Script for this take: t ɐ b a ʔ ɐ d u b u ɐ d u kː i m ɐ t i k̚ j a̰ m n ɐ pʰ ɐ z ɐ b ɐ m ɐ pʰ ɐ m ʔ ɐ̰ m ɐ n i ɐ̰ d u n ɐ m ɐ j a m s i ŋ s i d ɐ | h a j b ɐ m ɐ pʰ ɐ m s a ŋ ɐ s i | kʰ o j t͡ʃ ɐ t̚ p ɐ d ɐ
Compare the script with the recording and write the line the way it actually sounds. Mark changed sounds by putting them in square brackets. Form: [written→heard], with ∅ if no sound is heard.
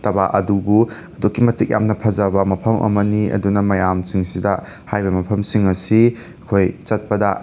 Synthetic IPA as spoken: t ɐ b a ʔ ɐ d u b u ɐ d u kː i m ɐ t i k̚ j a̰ m n ɐ pʰ ɐ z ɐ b ɐ m ɐ pʰ ɐ m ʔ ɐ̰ m ɐ n i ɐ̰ d u n ɐ m ɐ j a m s i ŋ s i d ɐ | h a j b ɐ m ɐ pʰ ɐ m s [a→i] ŋ ɐ s i | kʰ o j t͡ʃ ɐ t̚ p ɐ d ɐ